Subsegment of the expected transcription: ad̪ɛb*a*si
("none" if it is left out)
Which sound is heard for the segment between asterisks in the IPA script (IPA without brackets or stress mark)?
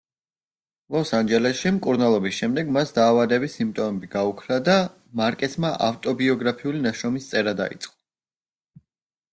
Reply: i